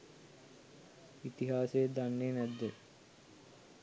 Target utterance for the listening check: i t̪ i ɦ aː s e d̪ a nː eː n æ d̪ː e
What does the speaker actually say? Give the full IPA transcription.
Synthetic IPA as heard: i t̪ i ɦ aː s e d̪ a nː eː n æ d̪ː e